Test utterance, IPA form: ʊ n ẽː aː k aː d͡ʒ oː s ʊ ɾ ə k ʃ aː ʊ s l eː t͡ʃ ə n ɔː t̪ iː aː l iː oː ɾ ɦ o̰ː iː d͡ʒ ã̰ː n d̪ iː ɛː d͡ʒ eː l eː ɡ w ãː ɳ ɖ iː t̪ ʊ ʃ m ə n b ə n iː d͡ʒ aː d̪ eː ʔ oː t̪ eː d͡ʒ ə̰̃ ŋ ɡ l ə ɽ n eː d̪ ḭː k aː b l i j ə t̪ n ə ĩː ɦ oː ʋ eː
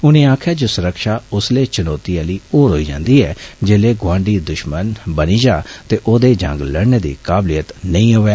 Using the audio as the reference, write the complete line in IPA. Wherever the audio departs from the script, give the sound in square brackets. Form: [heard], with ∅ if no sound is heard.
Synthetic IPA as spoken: ʊ n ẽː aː [kʰ] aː d͡ʒ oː s ʊ ɾ ə k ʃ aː ʊ s l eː t͡ʃ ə n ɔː t̪ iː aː l iː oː ɾ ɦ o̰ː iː d͡ʒ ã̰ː n d̪ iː ɛː d͡ʒ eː l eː ɡ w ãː ɳ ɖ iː [d̪] ʊ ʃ m ə n b ə n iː d͡ʒ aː [t̪] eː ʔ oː [d̪] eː d͡ʒ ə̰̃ ŋ ɡ l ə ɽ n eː d̪ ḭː k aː b l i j ə t̪ n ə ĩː ɦ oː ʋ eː